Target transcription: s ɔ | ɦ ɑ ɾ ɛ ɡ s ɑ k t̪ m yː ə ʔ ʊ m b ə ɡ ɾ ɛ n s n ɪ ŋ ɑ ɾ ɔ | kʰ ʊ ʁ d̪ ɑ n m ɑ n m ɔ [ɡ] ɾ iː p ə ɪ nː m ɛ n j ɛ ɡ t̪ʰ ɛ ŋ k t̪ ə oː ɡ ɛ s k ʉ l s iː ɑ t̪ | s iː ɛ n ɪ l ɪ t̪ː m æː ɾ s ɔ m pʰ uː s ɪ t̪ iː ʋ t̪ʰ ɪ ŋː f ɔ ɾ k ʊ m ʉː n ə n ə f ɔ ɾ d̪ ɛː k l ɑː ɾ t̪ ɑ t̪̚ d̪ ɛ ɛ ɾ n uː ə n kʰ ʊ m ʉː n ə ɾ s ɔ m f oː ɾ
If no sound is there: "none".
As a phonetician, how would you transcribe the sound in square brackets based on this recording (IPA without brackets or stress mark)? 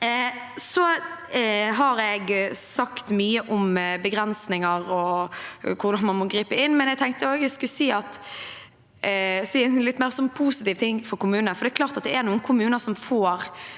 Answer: ɡ